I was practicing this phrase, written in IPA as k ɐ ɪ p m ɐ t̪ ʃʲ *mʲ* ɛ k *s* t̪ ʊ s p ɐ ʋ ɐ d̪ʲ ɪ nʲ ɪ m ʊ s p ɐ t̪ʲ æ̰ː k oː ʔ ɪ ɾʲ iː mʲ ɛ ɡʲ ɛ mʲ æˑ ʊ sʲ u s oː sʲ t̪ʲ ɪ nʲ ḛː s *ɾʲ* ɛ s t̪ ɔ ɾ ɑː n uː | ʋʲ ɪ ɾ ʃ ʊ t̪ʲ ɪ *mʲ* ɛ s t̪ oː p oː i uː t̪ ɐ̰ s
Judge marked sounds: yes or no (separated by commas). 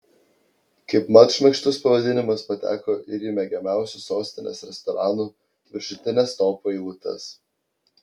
yes, no, yes, no